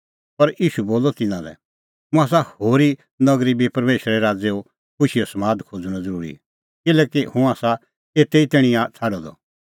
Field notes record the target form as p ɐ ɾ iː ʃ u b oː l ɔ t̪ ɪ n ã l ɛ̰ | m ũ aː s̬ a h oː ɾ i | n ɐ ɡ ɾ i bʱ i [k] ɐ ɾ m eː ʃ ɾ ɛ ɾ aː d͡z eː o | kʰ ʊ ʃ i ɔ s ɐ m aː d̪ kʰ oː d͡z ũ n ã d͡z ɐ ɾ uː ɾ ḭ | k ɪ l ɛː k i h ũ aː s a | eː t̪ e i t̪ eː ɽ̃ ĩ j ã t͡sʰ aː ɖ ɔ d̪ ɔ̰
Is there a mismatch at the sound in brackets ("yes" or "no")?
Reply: yes